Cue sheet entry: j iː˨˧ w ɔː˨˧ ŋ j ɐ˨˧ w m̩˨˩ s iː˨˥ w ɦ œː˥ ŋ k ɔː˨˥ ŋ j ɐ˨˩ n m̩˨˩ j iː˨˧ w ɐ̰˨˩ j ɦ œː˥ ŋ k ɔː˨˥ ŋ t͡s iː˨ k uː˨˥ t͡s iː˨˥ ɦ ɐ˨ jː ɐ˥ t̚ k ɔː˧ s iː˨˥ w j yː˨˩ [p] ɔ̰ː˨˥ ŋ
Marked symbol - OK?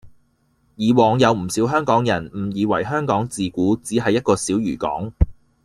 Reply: no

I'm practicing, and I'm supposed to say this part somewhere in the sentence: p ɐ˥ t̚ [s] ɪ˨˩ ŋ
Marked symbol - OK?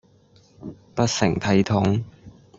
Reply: yes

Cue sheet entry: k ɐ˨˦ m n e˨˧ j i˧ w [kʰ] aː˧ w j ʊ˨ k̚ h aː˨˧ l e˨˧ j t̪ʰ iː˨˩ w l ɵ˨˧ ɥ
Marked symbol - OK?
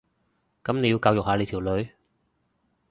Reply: no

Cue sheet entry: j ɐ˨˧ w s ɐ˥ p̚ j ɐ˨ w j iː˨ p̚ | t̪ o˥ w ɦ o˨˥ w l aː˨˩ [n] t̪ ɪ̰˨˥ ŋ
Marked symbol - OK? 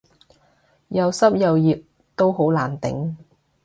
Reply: yes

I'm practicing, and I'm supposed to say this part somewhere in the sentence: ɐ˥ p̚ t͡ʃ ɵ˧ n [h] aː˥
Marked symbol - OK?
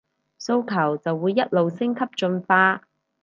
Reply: no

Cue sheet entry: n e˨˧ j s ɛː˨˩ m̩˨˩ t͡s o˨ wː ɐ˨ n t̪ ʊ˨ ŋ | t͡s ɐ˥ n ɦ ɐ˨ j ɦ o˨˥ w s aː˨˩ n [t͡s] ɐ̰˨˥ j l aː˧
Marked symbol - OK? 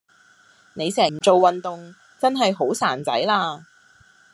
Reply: yes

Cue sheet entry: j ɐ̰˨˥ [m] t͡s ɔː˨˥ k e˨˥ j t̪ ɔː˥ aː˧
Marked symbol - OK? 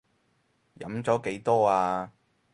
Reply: yes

